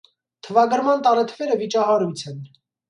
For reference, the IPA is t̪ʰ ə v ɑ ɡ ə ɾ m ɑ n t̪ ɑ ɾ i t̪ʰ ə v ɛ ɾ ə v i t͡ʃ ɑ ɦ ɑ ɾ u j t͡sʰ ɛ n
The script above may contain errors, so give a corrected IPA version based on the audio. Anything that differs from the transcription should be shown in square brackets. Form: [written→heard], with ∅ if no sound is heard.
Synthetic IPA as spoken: t̪ʰ ə v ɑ ɡ ə ɾ m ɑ n t̪ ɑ ɾ [i→ɛ] t̪ʰ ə v ɛ ɾ ə v i t͡ʃ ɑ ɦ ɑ ɾ u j t͡sʰ ɛ n